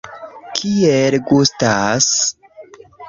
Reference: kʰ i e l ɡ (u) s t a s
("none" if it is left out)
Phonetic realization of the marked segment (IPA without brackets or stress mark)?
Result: u